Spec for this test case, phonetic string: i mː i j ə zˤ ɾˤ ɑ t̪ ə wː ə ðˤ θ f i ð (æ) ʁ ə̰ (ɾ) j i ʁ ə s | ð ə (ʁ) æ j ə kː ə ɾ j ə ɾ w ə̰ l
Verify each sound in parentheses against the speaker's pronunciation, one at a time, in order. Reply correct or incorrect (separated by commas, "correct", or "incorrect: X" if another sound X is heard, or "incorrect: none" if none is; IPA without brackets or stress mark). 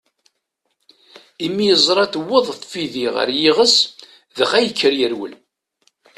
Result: incorrect: i, correct, incorrect: χ